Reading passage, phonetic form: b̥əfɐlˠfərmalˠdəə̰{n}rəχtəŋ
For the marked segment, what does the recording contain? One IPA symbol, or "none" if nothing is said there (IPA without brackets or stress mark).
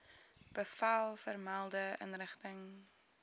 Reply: n